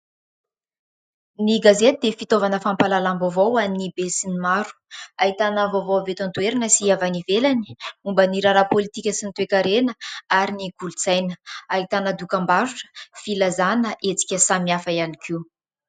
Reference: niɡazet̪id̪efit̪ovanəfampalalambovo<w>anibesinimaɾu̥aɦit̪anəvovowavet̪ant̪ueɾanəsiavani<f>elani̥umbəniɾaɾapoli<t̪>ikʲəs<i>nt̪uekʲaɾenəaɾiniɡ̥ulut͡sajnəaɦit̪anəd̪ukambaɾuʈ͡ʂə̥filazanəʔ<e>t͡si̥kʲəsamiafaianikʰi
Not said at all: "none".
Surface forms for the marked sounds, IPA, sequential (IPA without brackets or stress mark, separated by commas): w, v, t̪, i, e